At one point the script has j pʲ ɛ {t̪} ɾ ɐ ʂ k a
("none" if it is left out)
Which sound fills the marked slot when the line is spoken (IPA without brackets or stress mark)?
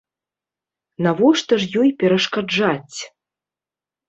none